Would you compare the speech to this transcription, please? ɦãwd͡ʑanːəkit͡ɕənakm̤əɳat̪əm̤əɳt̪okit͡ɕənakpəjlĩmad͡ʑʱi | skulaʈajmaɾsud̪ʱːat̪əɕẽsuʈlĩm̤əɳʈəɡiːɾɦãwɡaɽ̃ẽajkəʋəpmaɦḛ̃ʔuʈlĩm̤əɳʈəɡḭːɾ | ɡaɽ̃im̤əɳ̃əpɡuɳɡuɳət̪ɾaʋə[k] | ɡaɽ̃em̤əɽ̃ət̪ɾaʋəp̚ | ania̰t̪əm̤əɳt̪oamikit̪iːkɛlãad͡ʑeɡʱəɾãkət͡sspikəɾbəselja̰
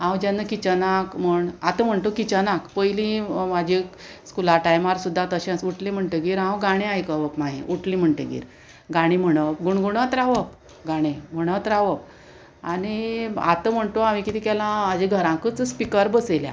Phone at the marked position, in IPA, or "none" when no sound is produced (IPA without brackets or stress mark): p